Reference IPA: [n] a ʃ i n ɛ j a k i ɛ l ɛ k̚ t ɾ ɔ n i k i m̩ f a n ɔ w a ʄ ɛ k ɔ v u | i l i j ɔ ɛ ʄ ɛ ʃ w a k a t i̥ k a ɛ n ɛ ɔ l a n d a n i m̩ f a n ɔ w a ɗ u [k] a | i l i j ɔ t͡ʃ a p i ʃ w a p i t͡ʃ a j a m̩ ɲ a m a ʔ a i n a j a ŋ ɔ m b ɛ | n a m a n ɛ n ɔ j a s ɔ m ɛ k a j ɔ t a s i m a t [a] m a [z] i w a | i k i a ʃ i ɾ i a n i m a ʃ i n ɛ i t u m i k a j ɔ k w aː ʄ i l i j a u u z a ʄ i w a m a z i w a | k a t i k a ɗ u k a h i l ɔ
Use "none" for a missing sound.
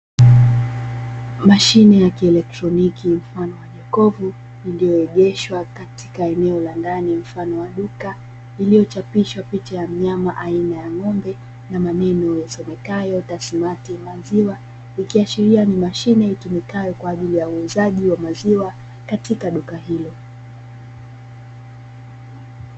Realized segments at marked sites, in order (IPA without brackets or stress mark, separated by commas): m, k, i, z